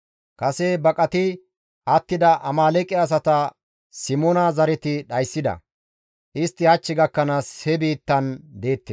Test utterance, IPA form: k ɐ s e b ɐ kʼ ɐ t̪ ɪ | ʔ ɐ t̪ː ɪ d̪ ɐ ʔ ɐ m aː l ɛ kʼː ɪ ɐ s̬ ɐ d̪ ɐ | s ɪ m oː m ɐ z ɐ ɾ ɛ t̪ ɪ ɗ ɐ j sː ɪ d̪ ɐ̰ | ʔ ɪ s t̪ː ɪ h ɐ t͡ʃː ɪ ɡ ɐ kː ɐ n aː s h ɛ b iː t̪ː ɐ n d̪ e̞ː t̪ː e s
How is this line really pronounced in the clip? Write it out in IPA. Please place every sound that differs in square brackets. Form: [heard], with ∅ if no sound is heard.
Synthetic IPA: k ɐ s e b ɐ kʼ ɐ t̪ ɪ | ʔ ɐ t̪ː ɪ d̪ ɐ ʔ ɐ m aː l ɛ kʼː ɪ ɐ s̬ ɐ [t̪] ɐ | s ɪ m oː [n] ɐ z ɐ ɾ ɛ t̪ ɪ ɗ ɐ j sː ɪ d̪ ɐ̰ | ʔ ɪ s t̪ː ɪ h ɐ t͡ʃː ɪ ɡ ɐ kː ɐ n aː s h ɛ b iː t̪ː ɐ n d̪ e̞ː t̪ː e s

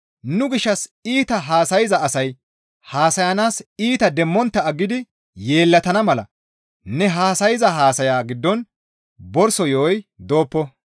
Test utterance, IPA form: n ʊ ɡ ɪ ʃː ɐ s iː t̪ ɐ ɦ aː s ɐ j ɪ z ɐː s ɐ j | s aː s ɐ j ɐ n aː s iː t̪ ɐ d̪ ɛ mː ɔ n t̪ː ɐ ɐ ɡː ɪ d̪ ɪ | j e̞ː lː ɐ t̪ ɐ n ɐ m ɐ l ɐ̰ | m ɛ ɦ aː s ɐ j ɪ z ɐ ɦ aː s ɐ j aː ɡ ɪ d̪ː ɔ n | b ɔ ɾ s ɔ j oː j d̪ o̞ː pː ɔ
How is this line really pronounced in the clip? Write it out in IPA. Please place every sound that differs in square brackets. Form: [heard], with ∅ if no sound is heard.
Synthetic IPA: n ʊ ɡ ɪ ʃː ɐ s iː t̪ ɐ ɦ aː s ɐ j ɪ z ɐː s ɐ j | [h] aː s ɐ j ɐ n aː s iː t̪ ɐ d̪ ɛ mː ɔ n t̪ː ɐ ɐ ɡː ɪ d̪ ɪ | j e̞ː lː ɐ t̪ ɐ n ɐ m ɐ l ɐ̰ | [n] ɛ ɦ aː s ɐ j ɪ z ɐ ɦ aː s ɐ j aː ɡ ɪ d̪ː ɔ n | b ɔ ɾ s ɔ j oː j d̪ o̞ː pː ɔ

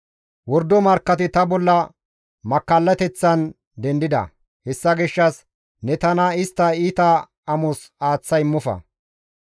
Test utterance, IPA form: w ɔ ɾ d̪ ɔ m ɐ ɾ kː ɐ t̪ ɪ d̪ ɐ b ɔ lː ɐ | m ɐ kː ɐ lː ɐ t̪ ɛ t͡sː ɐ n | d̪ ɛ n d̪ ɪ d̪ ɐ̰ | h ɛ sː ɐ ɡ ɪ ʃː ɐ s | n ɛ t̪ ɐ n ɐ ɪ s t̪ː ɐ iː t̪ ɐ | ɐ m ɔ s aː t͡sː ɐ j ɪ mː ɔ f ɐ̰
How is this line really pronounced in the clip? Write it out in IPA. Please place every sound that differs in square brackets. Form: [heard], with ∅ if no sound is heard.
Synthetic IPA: w ɔ ɾ d̪ ɔ m ɐ ɾ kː ɐ t̪ ɪ [t̪] ɐ b ɔ lː ɐ | m ɐ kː ɐ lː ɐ t̪ ɛ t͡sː ɐ n | d̪ ɛ n d̪ ɪ d̪ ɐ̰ | h ɛ sː ɐ ɡ ɪ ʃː ɐ s | n ɛ t̪ ɐ n ɐ ɪ s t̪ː ɐ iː t̪ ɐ | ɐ m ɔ s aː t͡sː ɐ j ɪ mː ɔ f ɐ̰

